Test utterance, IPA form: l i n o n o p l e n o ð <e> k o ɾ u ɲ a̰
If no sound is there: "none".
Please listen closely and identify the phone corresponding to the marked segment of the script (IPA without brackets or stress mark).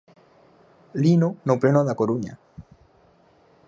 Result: a